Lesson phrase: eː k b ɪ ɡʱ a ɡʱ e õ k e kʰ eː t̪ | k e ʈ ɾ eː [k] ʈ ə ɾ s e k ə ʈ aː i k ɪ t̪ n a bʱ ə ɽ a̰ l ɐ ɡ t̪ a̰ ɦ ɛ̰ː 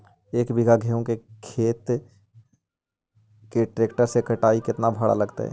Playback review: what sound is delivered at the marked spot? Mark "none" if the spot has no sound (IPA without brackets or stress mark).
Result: k